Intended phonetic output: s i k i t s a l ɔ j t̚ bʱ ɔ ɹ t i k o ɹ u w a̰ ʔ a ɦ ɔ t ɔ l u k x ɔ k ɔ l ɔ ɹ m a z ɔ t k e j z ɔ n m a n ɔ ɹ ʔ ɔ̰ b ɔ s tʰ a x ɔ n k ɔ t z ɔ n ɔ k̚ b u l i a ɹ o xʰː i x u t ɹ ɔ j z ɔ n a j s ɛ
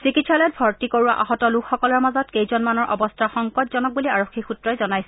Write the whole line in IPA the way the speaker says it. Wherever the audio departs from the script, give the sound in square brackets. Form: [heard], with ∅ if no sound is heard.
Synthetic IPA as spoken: s i k i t s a l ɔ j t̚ bʱ ɔ ɹ t i k o ɹ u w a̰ ʔ a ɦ ɔ t ɔ l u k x ɔ k ɔ l ɔ ɹ m a z ɔ t k e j z ɔ n m a n ɔ ɹ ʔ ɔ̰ b ɔ s tʰ a x ɔ [ŋ] k ɔ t z ɔ n ɔ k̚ b u l i a ɹ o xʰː i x u t ɹ ɔ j z ɔ n a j s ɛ